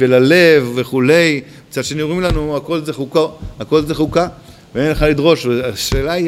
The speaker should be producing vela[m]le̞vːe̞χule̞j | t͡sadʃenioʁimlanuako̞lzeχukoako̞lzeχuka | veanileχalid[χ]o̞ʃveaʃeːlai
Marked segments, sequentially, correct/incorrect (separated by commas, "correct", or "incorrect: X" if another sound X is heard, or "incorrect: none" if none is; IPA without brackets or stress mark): incorrect: none, incorrect: ʁ